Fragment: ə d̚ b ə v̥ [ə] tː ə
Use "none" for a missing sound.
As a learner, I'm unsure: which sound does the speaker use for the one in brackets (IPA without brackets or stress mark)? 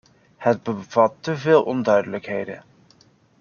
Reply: ɑ